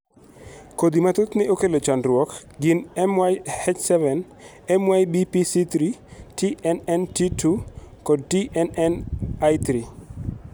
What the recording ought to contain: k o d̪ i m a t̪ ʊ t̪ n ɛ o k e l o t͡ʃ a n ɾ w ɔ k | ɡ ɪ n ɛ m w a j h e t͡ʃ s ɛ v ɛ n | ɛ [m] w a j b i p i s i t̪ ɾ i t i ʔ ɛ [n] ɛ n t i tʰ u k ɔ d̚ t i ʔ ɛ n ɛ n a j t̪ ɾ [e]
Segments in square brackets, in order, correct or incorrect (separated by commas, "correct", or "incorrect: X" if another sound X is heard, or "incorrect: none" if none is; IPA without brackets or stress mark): correct, correct, incorrect: i